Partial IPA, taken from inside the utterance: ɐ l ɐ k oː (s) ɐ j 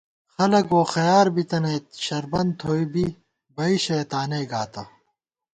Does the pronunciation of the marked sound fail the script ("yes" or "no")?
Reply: yes